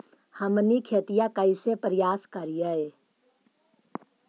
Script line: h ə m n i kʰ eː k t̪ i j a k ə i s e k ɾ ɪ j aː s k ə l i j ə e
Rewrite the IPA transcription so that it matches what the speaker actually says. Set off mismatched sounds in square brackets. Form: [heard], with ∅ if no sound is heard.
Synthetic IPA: h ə m n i kʰ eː [∅] t̪ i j a k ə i s e [p] ɾ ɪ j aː s k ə [ɾ] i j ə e

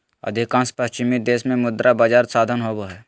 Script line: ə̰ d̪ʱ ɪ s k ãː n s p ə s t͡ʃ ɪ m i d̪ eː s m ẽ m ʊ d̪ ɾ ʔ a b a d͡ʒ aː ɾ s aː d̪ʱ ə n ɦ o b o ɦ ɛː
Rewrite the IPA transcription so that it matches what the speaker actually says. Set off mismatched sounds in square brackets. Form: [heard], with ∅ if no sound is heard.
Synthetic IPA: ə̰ d̪ʱ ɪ [∅] k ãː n s p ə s t͡ʃ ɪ m i d̪ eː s m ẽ m ʊ d̪ ɾ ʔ a b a d͡ʒ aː ɾ s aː d̪ʱ ə n ɦ o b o ɦ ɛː

